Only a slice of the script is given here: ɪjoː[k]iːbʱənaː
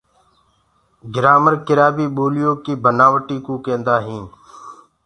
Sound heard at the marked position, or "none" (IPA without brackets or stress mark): k